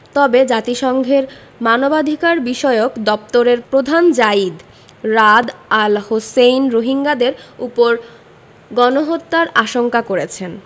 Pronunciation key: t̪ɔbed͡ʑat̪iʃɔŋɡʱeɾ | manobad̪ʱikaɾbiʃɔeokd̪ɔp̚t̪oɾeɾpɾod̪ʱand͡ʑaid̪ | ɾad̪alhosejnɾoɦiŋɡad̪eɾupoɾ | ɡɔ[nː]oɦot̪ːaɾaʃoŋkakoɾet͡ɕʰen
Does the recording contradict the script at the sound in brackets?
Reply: yes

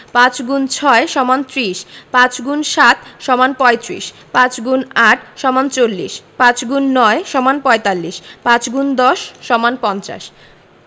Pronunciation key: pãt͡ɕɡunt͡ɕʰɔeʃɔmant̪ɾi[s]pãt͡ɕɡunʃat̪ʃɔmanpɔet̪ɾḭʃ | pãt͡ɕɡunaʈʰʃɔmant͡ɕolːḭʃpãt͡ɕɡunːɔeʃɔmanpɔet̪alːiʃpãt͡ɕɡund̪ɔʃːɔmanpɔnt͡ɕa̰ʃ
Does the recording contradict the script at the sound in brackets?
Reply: yes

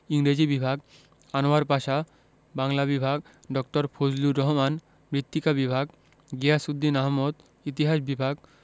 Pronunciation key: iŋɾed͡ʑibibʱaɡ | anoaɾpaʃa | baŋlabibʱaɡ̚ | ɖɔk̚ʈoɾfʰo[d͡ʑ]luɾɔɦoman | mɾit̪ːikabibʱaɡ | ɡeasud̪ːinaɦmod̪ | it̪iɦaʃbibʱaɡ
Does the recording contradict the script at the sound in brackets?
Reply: no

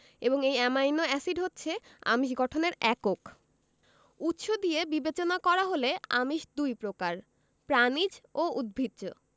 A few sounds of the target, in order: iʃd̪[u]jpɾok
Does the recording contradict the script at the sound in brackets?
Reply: no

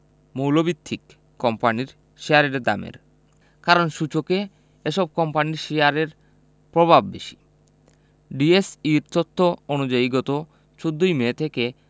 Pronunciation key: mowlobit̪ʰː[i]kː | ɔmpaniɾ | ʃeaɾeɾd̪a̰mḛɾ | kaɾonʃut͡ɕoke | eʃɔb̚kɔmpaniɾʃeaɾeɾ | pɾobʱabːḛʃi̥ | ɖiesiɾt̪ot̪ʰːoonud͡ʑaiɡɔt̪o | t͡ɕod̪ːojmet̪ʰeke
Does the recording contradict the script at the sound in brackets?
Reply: no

